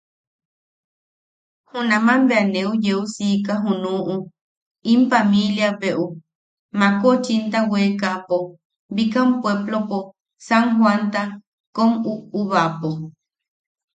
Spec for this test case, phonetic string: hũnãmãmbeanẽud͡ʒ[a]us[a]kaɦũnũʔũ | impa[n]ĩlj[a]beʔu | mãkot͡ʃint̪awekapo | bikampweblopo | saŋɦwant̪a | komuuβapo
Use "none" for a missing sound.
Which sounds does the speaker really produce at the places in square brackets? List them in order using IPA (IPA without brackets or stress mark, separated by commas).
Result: e, i, m, a